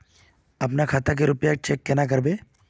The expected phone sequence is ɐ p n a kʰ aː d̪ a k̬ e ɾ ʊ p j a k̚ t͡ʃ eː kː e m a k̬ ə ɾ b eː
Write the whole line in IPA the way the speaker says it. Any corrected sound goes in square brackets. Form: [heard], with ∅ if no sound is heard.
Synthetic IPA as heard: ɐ p n a kʰ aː [t̪] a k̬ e ɾ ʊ p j a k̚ t͡ʃ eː kː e [n] a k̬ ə ɾ b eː